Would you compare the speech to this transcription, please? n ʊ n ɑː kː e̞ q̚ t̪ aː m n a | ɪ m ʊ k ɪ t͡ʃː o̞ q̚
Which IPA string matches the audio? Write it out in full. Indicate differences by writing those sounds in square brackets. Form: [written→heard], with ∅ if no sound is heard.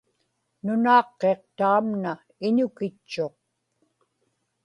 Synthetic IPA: n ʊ n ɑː [kː→qː] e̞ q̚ t̪ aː m n a | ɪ [m→ɲ] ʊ k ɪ t͡ʃː o̞ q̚